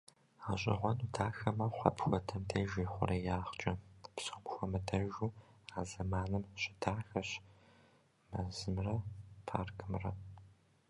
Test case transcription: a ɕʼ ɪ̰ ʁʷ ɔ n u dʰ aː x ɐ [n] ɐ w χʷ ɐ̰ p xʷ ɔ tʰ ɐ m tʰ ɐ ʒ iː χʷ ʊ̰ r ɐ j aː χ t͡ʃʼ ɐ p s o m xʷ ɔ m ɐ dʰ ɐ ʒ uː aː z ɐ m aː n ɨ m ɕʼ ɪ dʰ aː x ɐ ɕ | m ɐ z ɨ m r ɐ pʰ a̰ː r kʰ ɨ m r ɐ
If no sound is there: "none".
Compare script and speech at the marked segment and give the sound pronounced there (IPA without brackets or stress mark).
m